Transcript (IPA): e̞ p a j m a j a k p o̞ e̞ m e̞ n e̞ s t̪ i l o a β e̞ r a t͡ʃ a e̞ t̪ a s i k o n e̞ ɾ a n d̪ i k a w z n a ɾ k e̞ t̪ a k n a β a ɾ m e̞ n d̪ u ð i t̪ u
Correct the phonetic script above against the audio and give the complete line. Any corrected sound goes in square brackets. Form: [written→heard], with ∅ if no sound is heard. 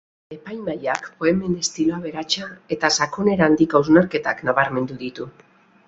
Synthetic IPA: e̞ p a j m a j a k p o̞ e̞ m e̞ n e̞ s t̪ i l o a β e̞ [r→ɾ] a t͡ʃ a e̞ t̪ a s [i→a] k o n e̞ ɾ a n d̪ i k a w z n a ɾ k e̞ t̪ a k n a β a ɾ m e̞ n d̪ u ð i t̪ u